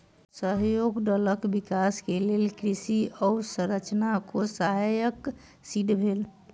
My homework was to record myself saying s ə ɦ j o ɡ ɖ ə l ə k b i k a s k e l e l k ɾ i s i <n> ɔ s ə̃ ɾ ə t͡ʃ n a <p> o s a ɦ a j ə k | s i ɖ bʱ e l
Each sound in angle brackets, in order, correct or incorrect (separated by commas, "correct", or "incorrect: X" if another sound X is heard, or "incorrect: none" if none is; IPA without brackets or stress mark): incorrect: none, incorrect: k